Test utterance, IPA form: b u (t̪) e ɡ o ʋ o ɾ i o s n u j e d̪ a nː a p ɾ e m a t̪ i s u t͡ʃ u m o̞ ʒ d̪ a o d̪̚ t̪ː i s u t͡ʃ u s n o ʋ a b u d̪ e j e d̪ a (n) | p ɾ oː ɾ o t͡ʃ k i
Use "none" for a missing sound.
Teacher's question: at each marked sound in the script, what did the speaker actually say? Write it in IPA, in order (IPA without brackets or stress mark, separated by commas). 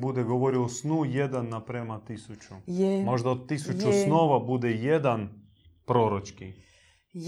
d̪, n